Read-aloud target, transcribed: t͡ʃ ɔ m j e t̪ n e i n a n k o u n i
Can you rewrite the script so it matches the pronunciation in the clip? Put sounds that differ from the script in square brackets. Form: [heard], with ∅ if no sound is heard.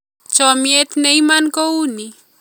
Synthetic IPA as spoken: t͡ʃ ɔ m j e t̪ n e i [m] a n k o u n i

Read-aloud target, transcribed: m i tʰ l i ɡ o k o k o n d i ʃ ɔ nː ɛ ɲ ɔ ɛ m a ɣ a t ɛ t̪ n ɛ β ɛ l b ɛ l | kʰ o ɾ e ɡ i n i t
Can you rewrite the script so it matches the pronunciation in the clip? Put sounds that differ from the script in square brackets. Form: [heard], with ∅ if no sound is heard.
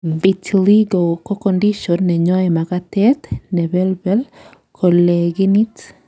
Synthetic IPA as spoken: [b] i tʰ l i ɡ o k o k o n d i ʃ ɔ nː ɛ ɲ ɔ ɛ m a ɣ a t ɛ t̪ n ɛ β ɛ l b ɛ l | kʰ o [l] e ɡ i n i t

